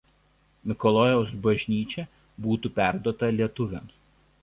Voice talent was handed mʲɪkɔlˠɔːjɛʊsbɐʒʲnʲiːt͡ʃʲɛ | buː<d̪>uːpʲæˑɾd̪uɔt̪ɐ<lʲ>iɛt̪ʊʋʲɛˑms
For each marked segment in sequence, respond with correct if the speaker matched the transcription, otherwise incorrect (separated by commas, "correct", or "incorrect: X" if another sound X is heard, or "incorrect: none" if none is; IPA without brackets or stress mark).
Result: incorrect: t̪, correct